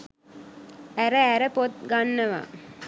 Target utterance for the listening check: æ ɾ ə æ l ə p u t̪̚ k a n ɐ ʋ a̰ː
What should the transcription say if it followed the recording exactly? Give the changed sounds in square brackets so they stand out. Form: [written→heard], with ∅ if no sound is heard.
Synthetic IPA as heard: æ ɾ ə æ [l→ɾ] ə p [u→o] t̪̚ [k→ɡ] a [n→nː] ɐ ʋ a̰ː